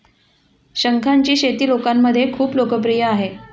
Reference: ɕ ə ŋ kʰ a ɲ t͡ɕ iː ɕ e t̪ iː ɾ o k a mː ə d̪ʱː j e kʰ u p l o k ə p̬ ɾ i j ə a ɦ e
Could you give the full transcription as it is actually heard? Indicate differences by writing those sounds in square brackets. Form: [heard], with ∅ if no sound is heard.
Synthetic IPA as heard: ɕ ə ŋ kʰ a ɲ t͡ɕ iː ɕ e t̪ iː [l] o k a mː ə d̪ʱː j e kʰ [uː] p l o k ə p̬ ɾ i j ə a ɦ e